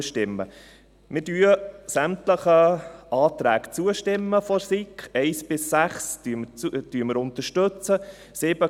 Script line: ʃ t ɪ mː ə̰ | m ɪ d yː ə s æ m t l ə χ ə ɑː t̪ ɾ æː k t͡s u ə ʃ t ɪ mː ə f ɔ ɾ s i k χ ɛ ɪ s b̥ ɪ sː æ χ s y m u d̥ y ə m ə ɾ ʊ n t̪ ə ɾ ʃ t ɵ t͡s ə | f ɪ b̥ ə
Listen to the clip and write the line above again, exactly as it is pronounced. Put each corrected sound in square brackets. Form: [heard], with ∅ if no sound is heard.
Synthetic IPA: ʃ t ɪ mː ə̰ | m ɪ d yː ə s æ m t l ə χ ə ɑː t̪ ɾ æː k t͡s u ə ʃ t ɪ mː ə f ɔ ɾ s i k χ ɛ ɪ s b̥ ɪ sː æ χ s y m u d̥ y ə m ə ɾ ʊ n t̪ ə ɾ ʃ t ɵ t͡s ə | [s] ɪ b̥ ə